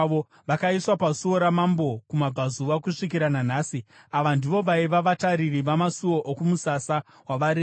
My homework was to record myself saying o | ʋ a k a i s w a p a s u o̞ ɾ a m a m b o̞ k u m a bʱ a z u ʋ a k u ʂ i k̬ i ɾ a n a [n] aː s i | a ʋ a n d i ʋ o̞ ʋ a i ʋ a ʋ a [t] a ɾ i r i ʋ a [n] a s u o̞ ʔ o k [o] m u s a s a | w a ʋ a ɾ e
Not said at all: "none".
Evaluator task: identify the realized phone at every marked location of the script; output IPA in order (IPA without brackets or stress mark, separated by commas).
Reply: n, t, m, u